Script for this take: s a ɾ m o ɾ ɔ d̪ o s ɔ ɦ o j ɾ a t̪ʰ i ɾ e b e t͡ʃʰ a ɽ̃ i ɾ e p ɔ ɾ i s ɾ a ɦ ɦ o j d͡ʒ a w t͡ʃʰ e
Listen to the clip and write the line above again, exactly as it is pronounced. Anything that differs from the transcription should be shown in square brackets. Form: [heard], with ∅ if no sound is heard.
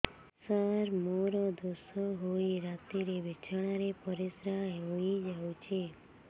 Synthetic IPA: s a ɾ m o ɾ ɔ d̪ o s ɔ ɦ o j ɾ a [t̪] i ɾ e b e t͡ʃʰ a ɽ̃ [a] ɾ e p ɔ ɾ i s ɾ a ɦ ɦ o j d͡ʒ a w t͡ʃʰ e